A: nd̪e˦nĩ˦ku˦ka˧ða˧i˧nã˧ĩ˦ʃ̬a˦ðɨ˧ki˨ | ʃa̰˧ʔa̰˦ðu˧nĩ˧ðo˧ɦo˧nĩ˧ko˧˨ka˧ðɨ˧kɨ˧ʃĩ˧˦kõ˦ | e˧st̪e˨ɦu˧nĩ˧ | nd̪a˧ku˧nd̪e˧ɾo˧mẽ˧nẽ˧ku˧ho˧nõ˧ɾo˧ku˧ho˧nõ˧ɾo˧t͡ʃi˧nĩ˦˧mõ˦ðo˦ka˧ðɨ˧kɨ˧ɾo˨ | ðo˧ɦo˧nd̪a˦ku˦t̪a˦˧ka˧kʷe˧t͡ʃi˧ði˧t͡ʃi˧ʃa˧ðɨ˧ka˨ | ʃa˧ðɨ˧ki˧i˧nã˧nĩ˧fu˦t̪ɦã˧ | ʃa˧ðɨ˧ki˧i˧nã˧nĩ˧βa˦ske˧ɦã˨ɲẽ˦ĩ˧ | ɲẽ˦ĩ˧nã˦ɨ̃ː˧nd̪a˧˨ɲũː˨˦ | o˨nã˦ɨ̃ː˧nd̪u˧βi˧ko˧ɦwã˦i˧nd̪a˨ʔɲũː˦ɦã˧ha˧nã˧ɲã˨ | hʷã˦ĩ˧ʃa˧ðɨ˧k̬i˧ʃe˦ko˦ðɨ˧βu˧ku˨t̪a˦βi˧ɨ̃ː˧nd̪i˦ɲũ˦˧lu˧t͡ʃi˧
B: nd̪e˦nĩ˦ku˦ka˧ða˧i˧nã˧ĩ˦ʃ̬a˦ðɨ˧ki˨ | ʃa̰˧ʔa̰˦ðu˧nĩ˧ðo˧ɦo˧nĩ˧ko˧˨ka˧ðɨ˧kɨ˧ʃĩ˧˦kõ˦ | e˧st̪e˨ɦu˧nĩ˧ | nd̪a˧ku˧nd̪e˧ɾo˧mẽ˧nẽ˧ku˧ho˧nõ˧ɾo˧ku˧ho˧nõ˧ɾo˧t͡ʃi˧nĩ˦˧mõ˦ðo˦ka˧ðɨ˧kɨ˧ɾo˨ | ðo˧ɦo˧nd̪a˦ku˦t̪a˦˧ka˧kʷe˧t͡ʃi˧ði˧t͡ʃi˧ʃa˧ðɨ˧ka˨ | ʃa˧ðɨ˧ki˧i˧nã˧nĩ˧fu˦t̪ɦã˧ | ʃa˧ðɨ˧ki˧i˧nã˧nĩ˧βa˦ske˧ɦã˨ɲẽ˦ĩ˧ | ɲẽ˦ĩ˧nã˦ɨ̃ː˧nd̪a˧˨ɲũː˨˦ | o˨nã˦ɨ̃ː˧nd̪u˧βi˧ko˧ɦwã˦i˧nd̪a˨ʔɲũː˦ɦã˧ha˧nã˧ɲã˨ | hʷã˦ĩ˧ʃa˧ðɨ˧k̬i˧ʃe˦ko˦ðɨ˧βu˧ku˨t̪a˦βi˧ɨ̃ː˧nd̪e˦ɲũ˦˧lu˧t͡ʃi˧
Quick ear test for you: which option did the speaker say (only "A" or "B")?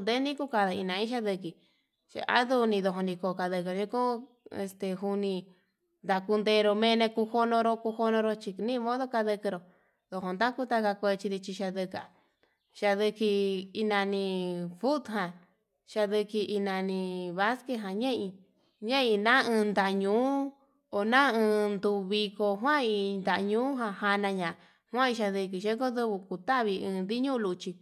A